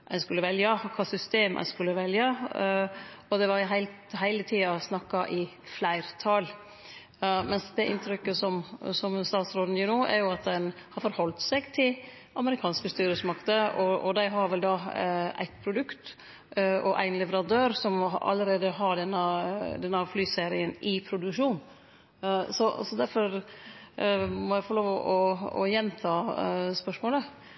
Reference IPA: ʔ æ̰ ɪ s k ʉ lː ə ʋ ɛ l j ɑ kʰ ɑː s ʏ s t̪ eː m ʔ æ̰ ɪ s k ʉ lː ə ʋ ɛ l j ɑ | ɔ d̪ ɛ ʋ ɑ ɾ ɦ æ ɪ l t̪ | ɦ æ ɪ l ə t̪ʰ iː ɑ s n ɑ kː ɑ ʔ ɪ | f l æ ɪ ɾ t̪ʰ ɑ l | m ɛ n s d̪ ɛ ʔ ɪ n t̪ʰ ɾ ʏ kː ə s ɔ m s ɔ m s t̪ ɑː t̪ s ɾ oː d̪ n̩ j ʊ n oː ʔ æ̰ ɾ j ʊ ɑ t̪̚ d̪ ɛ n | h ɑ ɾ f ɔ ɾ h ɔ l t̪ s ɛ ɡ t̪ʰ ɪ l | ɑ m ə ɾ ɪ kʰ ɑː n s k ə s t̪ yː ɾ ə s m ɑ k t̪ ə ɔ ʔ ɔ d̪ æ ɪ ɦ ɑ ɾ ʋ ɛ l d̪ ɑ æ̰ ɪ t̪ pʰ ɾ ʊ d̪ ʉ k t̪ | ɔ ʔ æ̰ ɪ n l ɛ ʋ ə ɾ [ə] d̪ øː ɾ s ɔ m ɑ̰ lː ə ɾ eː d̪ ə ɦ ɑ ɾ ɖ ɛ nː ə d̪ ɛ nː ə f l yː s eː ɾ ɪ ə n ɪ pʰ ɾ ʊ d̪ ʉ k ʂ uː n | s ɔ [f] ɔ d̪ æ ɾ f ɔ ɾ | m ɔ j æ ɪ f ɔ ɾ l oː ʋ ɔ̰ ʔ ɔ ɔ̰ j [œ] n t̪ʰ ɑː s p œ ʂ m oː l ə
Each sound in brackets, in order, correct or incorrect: incorrect: ɑ, incorrect: s, incorrect: ɛ

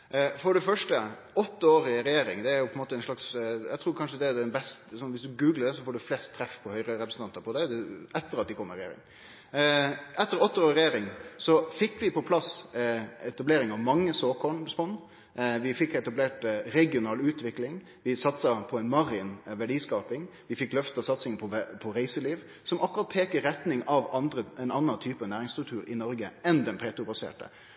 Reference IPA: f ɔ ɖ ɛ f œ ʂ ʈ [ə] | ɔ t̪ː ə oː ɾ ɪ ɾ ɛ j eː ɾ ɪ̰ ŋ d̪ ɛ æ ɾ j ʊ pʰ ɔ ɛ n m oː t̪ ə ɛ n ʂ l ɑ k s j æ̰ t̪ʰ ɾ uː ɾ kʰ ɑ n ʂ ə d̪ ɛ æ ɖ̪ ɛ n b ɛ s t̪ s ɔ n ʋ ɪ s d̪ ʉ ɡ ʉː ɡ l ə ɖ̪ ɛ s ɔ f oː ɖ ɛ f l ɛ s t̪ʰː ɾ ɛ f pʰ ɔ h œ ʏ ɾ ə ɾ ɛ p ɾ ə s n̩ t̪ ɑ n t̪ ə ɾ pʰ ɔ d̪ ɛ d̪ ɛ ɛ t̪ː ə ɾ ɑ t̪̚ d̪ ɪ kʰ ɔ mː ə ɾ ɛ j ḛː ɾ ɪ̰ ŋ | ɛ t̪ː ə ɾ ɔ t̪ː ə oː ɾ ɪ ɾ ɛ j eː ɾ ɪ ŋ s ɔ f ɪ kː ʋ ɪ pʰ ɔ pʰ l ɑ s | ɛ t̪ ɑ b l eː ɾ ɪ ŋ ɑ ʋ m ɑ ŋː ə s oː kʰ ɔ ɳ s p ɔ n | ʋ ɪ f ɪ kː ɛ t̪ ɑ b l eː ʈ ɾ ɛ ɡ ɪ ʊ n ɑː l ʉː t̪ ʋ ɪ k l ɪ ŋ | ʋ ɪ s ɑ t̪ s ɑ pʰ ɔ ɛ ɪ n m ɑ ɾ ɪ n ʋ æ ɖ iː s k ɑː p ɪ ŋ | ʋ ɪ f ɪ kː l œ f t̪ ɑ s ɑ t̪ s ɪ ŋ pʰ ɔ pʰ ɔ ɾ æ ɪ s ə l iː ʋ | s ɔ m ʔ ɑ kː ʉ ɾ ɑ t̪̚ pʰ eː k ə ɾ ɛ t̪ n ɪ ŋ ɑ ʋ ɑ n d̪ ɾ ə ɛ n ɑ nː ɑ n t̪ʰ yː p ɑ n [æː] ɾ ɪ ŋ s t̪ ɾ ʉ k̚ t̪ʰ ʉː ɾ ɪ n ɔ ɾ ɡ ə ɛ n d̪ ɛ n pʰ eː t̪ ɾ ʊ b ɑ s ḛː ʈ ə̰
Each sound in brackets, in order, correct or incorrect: correct, correct

